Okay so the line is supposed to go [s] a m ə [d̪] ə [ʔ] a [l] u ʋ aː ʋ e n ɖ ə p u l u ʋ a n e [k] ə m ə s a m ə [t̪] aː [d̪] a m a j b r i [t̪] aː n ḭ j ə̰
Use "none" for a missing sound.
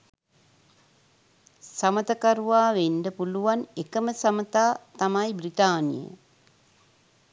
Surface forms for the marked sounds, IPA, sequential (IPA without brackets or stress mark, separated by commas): s, t̪, k, ɾ, k, t̪, t̪, t̪